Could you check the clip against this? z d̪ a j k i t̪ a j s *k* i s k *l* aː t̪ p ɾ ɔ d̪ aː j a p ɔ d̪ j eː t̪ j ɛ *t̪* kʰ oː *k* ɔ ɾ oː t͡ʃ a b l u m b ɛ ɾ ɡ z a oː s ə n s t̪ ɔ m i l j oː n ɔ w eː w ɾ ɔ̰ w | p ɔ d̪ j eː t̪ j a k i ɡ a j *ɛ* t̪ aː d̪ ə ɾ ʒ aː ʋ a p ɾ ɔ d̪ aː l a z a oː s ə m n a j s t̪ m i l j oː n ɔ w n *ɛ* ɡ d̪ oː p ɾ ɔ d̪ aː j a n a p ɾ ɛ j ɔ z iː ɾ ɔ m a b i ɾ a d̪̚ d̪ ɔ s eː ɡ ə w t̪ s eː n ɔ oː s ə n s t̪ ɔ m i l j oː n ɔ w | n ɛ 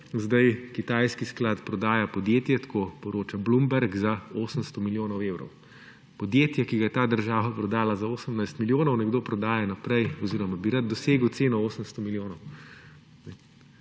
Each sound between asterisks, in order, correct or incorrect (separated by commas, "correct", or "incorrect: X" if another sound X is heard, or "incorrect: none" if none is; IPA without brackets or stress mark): correct, correct, correct, incorrect: p, correct, correct